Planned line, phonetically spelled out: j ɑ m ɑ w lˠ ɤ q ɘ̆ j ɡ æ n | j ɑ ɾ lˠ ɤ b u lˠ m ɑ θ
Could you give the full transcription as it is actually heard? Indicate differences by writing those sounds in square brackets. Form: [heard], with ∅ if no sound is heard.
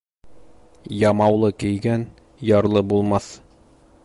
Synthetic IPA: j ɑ m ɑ w lˠ ɤ [k] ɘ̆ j ɡ æ n | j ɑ ɾ lˠ ɤ b u lˠ m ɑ θ